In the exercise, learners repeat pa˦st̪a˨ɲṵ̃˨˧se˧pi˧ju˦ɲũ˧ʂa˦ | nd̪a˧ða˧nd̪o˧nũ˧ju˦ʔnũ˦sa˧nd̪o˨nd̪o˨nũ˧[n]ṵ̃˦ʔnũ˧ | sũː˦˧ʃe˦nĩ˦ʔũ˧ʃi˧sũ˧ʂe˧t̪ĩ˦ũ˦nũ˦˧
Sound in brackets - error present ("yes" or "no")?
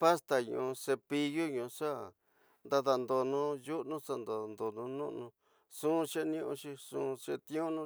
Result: no